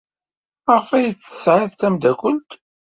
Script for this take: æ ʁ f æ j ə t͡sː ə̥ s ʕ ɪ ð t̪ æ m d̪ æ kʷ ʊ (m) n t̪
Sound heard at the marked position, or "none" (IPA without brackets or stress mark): none